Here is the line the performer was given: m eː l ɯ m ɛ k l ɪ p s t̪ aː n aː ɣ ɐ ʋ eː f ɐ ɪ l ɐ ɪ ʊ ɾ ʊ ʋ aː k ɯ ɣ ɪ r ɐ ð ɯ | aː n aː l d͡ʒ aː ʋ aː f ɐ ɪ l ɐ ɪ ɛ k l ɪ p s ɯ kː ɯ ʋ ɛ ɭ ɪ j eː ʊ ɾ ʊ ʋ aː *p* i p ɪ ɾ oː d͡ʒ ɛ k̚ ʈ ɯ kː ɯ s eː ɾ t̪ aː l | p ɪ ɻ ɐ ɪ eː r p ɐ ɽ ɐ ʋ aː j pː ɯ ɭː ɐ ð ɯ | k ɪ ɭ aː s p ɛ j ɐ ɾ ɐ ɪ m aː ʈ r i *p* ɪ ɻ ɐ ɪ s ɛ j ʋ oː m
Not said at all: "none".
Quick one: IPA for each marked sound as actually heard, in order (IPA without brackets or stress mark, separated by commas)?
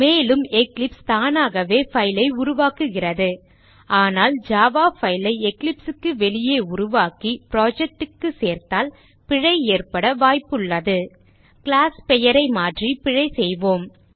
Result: k, p